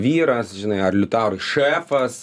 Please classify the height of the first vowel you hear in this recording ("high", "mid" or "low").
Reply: high